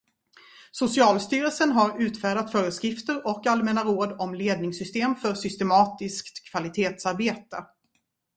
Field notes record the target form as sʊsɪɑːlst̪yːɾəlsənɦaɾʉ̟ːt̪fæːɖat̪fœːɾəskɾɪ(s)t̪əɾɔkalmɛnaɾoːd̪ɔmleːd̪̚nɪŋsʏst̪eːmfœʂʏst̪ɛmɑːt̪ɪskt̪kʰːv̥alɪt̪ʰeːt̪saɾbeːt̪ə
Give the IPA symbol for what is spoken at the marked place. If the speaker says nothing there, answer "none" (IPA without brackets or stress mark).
f